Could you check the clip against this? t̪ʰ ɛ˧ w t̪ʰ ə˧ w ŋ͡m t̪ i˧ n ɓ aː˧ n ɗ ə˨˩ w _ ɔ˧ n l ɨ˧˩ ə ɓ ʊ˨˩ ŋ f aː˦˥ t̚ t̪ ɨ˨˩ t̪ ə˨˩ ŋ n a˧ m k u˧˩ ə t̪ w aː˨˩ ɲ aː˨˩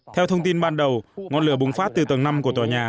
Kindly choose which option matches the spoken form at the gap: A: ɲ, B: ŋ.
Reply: B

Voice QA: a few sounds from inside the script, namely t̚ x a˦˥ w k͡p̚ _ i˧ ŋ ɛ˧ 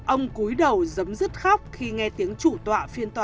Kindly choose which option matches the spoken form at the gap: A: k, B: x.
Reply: B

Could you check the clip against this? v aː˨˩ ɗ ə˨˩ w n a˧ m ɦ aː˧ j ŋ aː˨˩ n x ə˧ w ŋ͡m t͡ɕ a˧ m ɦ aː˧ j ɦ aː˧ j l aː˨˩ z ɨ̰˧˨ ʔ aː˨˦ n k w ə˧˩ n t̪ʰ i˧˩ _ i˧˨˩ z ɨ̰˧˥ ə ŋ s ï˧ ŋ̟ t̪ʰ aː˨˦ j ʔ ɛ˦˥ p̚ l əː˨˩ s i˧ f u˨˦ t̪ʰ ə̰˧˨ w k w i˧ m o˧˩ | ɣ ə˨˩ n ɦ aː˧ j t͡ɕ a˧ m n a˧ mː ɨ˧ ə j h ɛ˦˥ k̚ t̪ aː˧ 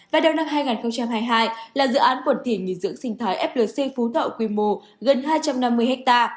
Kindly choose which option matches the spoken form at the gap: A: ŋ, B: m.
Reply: A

